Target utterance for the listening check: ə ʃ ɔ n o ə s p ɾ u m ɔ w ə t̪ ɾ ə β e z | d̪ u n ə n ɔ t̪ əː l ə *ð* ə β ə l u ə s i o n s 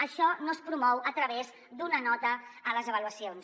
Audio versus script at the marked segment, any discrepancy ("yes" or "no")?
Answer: yes